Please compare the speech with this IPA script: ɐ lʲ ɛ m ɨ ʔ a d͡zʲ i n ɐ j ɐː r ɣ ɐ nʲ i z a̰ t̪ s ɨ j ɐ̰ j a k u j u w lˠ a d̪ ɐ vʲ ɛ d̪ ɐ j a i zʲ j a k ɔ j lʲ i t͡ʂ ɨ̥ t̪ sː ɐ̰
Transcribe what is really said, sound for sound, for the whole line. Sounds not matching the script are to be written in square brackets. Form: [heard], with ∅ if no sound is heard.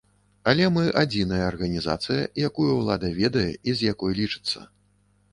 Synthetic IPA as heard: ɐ lʲ ɛ m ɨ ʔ a d͡zʲ i n ɐ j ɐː r ɣ ɐ nʲ i z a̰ t̪ s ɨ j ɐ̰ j a k u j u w lˠ a d̪ ɐ vʲ ɛ d̪ ɐ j [ɛ] i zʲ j a k ɔ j lʲ i t͡ʂ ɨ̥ t̪ sː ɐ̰